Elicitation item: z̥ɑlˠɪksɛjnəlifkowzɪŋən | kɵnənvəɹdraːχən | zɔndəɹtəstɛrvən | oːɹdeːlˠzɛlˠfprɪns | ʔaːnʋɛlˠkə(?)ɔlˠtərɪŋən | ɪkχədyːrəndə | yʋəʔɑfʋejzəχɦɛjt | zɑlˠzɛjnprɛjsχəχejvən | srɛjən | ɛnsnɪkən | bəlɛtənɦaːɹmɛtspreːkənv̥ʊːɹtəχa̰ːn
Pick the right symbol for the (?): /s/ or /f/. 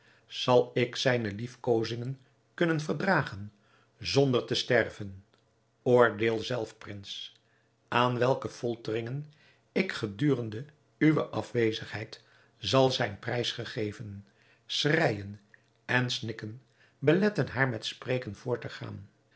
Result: f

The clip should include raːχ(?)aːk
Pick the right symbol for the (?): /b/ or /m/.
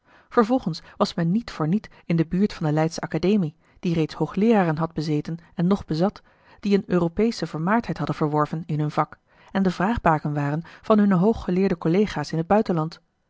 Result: b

